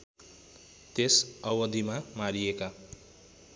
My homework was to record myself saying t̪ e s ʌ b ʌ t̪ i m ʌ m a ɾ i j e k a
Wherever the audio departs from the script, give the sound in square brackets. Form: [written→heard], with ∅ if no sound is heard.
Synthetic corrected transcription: t̪ e s ʌ [b→w] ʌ [t̪→d̪] i m [ʌ→a] m a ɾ i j e k a